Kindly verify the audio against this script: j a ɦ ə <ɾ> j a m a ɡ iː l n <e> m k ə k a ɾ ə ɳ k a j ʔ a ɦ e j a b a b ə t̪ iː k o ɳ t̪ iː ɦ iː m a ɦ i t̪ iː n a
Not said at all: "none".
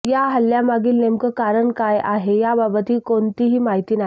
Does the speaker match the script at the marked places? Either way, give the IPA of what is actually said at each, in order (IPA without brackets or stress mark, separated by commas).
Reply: l, e